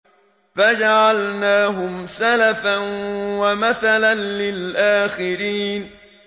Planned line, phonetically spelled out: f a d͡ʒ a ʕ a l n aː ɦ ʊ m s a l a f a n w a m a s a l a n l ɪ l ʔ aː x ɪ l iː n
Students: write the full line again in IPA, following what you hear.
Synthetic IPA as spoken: f a d͡ʒ a ʕ a l n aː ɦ ʊ m s a l a f a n w a m a θ a l a n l ɪ l ʔ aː x ɪ ɾ iː n